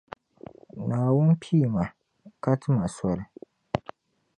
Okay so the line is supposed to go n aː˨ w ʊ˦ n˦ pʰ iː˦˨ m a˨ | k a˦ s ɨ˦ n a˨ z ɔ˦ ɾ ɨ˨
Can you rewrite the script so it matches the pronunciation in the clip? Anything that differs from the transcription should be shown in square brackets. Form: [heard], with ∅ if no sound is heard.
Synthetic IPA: n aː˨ w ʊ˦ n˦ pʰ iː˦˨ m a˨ | k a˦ [t] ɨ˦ [m] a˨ [s] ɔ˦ ɾ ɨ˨